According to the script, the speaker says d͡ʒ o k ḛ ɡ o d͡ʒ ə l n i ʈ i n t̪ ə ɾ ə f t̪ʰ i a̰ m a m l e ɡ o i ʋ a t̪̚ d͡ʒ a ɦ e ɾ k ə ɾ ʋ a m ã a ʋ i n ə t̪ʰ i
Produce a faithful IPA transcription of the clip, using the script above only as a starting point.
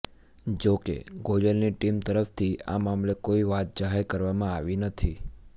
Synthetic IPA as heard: d͡ʒ o k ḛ ɡ o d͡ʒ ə l n i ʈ i m t̪ ə ɾ ə f t̪ʰ i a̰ m a m l e k o i ʋ a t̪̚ d͡ʒ a ɦ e ɾ k ə ɾ ʋ a m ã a ʋ i n ə t̪ʰ i